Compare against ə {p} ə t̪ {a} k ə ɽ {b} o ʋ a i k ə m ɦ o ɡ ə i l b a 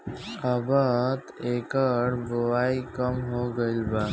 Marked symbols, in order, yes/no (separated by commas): no, no, yes